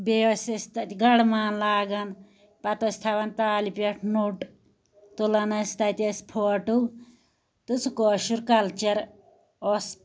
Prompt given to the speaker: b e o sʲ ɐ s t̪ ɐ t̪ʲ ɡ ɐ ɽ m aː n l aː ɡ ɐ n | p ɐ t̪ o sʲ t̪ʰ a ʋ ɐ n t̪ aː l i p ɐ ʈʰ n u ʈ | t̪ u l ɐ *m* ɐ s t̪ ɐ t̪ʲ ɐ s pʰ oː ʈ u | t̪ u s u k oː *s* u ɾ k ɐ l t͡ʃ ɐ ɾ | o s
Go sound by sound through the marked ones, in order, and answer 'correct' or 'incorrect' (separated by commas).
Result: incorrect, incorrect